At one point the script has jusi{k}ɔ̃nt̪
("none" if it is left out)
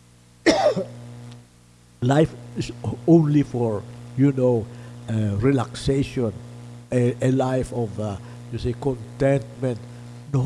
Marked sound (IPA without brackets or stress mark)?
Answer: k